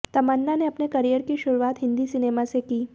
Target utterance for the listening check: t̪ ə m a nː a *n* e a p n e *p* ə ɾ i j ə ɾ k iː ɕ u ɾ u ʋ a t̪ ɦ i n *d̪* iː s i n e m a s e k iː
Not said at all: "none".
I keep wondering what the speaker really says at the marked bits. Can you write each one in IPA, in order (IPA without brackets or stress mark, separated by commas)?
n, k, d̪